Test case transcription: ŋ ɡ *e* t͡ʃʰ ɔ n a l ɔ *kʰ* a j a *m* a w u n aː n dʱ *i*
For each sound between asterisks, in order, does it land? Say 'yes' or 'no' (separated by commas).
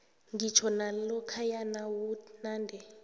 no, yes, no, no